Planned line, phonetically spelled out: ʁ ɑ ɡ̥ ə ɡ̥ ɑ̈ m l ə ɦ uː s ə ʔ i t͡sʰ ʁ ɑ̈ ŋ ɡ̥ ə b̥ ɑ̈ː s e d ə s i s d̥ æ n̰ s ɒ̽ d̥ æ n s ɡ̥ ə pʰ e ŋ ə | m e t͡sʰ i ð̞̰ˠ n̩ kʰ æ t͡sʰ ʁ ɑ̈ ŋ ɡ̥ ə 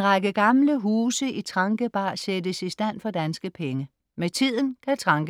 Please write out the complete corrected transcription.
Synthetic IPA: ʁ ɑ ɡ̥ ə ɡ̥ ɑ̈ m l ə ɦ uː s ə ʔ i t͡sʰ ʁ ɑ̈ ŋ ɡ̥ ə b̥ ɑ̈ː s e d ə s i s d̥ æ n̰ f ɒ̽ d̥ æ n s ɡ̥ ə pʰ e ŋ ə | m e t͡sʰ i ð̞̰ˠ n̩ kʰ æ t͡sʰ ʁ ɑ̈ ŋ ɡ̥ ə

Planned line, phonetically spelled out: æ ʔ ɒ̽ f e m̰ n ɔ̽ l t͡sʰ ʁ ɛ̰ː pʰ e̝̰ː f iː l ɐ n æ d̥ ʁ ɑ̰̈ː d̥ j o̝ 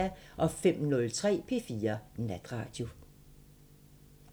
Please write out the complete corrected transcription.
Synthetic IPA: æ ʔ ɒ̽ f e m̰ n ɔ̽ l t͡sʰ ʁ ɛ̰ː pʰ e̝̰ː f iː ɐ n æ d̥ ʁ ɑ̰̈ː d̥ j o̝

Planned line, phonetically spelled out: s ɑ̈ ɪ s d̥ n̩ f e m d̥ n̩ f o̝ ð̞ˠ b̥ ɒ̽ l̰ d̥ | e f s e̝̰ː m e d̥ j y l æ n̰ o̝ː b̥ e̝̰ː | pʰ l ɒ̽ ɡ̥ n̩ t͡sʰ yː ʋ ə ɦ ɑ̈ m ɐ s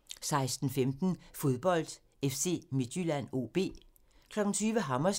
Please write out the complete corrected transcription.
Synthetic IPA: s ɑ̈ ɪ s d̥ n̩ f e m d̥ n̩ f o̝ ð̞ˠ b̥ ɒ̽ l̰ d̥ | e f s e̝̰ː m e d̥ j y l æ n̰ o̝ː b̥ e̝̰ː | kʰ l ɒ̽ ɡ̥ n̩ t͡sʰ yː ʋ ə ɦ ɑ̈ m ɐ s

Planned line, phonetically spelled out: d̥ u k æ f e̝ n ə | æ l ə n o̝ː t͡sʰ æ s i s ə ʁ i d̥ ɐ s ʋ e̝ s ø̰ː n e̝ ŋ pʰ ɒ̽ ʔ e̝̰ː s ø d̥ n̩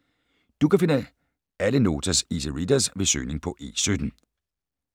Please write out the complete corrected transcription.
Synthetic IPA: d̥ u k æ f e̝ n ə | æ l ə n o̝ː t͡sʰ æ s i s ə ʁ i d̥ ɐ s ʋ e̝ s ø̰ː n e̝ ŋ pʰ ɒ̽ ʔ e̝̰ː s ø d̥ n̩

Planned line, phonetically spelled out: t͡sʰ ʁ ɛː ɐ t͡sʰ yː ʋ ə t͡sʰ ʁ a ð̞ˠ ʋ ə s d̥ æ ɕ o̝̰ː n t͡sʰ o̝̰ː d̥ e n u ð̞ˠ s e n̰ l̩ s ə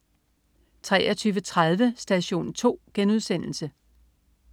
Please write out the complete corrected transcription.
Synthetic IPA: t͡sʰ ʁ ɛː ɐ t͡sʰ yː ʋ ə t͡sʰ ʁ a ð̞ˠ ʋ ə s d̥ æ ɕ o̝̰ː n t͡sʰ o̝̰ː ɡ̥ e n u ð̞ˠ s e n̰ l̩ s ə

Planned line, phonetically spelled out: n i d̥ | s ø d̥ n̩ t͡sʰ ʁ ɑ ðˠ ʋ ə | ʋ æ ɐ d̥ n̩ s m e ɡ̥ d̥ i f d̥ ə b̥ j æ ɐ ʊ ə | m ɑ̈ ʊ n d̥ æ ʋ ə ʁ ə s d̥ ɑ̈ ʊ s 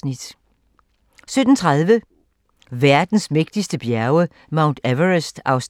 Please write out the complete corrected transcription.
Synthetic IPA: n i d̥ | s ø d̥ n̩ t͡sʰ ʁ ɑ ðˠ ʋ ə | ʋ æ ɐ d̥ n̩ s m e ɡ̥ d̥ i s d̥ ə b̥ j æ ɐ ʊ ə | m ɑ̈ ʊ n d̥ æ ʋ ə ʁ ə s d̥ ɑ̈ ʊ s

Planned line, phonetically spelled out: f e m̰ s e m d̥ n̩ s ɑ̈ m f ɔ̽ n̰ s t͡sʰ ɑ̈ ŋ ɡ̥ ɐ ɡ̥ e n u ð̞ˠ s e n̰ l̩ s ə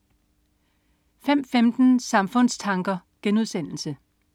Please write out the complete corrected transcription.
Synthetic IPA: f e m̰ f e m d̥ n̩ s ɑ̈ m f ɔ̽ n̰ s t͡sʰ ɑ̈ ŋ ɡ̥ ɐ ɡ̥ e n u ð̞ˠ s e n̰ l̩ s ə

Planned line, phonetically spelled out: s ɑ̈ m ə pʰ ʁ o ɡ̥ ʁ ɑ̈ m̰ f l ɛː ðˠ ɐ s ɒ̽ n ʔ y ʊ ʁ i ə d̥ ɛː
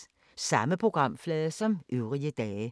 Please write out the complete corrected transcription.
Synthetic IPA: s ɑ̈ m ə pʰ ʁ o ɡ̥ ʁ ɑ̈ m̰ f l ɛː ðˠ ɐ s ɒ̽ m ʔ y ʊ ʁ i ə d̥ ɛː

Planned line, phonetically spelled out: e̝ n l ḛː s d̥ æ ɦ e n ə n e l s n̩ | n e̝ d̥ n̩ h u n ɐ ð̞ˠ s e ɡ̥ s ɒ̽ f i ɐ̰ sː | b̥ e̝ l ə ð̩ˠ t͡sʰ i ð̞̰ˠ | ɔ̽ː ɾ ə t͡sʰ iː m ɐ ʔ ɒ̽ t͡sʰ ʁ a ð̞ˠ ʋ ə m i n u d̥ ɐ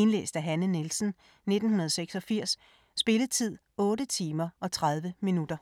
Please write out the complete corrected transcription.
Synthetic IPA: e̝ n l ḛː s d̥ æ ɦ æ n ə n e l s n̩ | n e̝ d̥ n̩ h u n ɐ ð̞ˠ s e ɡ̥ s ɒ̽ f i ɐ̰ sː | b̥ e̝ l ə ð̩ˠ t͡sʰ i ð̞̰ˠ | ɔ̽ː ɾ ə t͡sʰ iː m ɐ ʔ ɒ̽ t͡sʰ ʁ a ð̞ˠ ʋ ə m i n u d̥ ɐ

